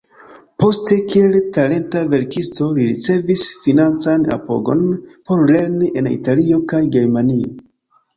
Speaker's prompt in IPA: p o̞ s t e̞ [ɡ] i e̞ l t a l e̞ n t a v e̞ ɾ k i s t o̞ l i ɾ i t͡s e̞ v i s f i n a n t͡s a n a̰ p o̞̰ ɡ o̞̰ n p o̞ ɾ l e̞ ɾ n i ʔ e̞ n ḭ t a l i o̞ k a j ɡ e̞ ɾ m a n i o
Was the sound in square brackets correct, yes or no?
no